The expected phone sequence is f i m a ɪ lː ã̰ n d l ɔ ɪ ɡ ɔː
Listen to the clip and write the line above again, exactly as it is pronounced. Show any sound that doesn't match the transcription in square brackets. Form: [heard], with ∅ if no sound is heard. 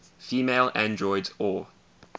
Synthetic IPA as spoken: f [iː] m [e] ɪ [l] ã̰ n d [ɹ] ɔ ɪ [d] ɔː

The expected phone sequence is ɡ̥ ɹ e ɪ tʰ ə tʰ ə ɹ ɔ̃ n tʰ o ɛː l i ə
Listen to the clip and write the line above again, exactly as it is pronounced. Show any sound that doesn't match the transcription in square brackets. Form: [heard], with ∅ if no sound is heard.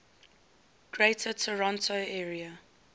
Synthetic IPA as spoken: ɡ̥ ɹ e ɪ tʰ ə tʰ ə ɹ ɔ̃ n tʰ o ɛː [ɹ] i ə

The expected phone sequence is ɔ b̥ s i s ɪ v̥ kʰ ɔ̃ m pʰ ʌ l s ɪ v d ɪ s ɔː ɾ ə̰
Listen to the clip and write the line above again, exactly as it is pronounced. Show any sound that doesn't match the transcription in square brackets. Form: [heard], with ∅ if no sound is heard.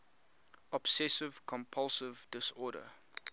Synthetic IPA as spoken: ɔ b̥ s [ɛ] s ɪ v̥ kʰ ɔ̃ m pʰ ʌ l s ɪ v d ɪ s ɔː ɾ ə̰

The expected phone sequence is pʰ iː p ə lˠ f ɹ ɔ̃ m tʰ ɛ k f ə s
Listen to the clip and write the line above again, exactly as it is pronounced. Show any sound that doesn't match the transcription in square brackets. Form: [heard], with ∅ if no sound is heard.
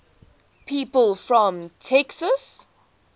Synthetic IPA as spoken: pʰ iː p ə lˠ f ɹ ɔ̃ m tʰ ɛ k [s] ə s

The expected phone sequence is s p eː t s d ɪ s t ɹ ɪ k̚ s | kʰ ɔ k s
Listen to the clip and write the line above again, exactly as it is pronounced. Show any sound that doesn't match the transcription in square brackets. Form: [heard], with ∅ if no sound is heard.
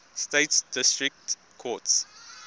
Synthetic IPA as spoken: s [t] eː t s d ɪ s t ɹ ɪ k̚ [t] | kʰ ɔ [t] s

